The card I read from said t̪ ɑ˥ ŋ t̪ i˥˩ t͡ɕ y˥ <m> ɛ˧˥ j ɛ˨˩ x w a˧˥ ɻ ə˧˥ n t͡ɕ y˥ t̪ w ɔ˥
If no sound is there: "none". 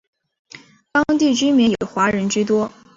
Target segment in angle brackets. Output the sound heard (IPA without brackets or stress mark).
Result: m